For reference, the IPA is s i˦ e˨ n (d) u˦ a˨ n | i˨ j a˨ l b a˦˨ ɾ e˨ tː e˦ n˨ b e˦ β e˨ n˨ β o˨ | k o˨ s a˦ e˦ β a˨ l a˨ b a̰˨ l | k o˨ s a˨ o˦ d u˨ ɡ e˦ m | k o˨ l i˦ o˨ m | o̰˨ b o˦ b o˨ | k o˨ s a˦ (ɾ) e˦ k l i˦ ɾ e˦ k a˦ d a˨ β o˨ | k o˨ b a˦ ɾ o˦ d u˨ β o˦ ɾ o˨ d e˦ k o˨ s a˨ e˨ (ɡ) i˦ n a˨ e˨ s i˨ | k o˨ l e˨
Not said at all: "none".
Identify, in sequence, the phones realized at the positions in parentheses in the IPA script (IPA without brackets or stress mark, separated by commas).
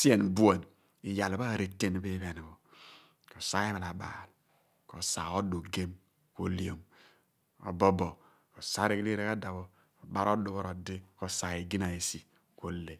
b, ɾ, ɡ